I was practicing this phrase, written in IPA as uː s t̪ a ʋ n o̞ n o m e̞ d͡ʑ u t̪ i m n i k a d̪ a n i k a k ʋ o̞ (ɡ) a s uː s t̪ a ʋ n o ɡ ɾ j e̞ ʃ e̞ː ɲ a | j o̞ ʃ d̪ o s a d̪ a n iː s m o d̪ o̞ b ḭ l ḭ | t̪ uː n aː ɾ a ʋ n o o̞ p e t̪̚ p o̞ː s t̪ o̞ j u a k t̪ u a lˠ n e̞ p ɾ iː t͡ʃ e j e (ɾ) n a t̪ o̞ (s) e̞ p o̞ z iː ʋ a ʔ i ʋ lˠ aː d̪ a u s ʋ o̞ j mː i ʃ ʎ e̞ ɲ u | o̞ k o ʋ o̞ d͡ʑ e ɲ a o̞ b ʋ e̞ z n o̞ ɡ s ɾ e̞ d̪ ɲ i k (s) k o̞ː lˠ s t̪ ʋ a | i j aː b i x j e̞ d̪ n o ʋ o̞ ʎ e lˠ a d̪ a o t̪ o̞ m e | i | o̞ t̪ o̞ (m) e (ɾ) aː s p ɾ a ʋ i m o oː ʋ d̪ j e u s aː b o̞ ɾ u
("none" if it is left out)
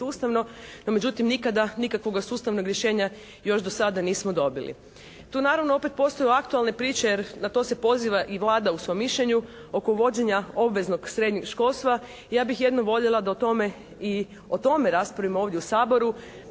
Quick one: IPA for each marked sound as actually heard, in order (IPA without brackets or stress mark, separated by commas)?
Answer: ɡ, ɾ, s, ʃ, m, ɾ